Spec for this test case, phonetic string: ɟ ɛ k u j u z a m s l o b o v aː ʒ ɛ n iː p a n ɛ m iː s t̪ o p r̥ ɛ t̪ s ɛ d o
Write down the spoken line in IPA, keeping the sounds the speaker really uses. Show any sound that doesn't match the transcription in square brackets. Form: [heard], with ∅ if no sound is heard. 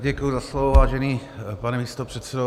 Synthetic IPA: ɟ ɛ k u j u z a [∅] s l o [v] o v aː ʒ ɛ n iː p a n ɛ m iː s t̪ o p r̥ ɛ t̪ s ɛ d o